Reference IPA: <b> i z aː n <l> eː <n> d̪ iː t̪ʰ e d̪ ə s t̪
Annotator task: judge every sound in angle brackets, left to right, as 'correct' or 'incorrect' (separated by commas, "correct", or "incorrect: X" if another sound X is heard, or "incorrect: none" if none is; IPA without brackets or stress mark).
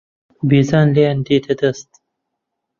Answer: correct, correct, correct